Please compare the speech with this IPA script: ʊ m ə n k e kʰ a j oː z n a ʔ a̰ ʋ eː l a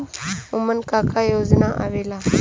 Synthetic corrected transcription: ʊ m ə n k a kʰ a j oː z n a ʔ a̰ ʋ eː l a